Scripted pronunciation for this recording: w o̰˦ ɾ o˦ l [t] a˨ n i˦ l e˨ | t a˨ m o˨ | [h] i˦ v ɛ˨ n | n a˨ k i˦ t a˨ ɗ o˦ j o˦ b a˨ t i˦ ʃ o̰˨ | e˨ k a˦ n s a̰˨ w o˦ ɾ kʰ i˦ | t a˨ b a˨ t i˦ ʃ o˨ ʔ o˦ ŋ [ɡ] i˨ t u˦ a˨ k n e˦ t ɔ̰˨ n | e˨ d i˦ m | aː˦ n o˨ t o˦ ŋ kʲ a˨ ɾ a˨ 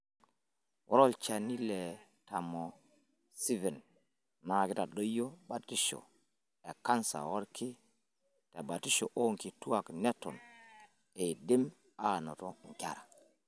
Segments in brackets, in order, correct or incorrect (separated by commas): incorrect, incorrect, incorrect